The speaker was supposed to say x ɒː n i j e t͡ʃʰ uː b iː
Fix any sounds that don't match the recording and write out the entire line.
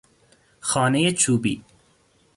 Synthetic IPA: x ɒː n e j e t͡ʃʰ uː b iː

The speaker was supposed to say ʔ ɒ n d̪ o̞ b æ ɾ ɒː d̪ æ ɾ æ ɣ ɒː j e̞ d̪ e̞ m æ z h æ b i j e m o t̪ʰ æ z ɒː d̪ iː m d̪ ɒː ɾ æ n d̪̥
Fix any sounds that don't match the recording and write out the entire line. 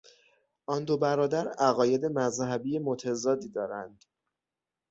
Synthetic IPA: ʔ ɒ n d̪ o̞ b æ ɾ ɒː d̪ æ ɾ æ ɣ ɒː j e̞ d̪ e̞ m æ z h æ b i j e m o t̪ʰ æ z ɒː d̪ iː d̪ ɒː ɾ æ n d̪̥

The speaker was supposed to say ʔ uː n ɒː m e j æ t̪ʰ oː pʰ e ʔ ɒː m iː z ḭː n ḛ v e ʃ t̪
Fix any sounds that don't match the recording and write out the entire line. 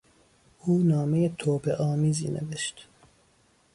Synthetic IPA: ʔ uː n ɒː m e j e t̪ʰ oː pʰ e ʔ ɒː m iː z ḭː n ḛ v e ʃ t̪

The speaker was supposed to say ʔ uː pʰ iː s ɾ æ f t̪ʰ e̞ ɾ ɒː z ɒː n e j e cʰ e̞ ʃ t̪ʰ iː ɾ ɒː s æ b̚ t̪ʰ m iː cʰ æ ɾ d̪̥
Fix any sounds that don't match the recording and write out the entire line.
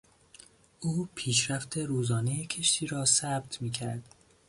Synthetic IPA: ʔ uː pʰ iː ʃ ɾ æ f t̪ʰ e̞ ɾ uː z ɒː n e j e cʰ e̞ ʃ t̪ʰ iː ɾ ɒː s æ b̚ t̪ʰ m iː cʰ æ ɾ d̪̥

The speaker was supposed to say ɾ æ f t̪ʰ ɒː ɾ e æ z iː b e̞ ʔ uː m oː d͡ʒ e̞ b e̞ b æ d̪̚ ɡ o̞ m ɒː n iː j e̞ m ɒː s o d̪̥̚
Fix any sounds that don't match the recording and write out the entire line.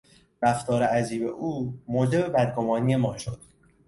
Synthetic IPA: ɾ æ f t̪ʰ ɒː ɾ e æ z iː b e̞ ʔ uː m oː d͡ʒ e̞ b e̞ b æ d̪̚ ɡ o̞ m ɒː n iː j e̞ m ɒː ʃ o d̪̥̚

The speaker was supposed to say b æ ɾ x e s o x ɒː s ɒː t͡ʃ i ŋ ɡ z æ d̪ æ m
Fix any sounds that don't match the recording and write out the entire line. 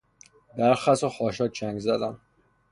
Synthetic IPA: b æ ɾ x æ s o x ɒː ʃ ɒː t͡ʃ æ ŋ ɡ z æ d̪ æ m

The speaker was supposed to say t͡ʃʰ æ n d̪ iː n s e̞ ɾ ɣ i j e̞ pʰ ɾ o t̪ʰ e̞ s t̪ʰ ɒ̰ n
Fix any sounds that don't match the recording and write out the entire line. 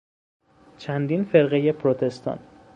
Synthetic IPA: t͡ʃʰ æ n d̪ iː n f e̞ ɾ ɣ e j e̞ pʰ ɾ o t̪ʰ e̞ s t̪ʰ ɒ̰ n

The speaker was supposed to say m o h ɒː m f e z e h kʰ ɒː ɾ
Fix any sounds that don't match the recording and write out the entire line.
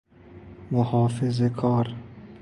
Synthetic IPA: m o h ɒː f e z e kʰ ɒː ɾ

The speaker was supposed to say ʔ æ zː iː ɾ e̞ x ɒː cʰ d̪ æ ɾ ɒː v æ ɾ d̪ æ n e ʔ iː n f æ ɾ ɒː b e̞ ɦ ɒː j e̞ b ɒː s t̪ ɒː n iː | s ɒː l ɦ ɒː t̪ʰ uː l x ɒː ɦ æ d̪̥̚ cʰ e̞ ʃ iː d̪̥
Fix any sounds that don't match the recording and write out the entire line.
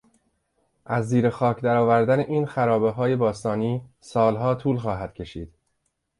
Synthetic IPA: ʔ æ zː iː ɾ e̞ x ɒː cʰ d̪ æ ɾ ɒː v æ ɾ d̪ æ n e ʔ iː n x æ ɾ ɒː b e̞ ɦ ɒː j e̞ b ɒː s t̪ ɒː n iː | s ɒː l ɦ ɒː t̪ʰ uː l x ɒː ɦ æ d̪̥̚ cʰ e̞ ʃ iː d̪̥

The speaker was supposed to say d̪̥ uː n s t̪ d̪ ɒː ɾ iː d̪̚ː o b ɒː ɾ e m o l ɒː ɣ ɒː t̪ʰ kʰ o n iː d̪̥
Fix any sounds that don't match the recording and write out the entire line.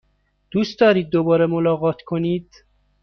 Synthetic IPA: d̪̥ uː s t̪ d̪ ɒː ɾ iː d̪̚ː o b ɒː ɾ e m o l ɒː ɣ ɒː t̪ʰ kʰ o n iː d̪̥

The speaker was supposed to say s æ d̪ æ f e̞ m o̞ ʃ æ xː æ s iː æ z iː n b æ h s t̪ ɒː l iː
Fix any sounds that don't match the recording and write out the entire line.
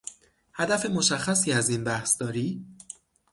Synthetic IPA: h æ d̪ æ f e̞ m o̞ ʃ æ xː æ s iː æ z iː n b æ h s d̪ ɒː ɾ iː

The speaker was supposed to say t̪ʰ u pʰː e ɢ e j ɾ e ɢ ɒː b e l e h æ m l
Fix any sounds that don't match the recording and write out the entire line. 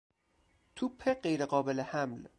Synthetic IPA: t̪ʰ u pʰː e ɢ e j ɾ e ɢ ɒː b e l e h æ m l

